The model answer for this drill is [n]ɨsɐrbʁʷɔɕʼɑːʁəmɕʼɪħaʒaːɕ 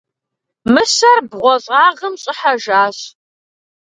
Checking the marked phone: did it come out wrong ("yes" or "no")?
yes